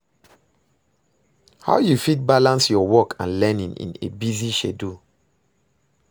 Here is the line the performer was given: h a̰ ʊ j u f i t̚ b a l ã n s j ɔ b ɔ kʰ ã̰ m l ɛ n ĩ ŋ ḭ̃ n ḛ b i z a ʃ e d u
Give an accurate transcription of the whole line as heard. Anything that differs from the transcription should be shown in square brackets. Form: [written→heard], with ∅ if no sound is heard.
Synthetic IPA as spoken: h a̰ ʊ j u f i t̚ b a l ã n s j ɔ [b→w] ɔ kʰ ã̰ [m→n] l ɛ n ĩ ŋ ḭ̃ n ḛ b i z [a→i] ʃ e d u